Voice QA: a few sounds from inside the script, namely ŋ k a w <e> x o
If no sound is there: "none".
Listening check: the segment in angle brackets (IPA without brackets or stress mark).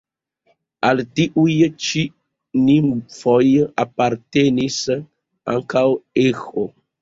e